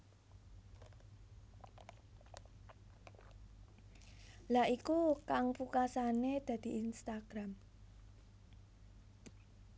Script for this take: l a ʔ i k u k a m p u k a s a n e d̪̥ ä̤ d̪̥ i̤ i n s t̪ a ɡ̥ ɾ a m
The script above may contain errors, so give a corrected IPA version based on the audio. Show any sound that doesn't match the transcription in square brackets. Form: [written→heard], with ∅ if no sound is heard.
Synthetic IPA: l a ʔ i k u k a [m→ŋ] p u k a s a n e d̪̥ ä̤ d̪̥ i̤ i n s t̪ a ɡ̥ ɾ a m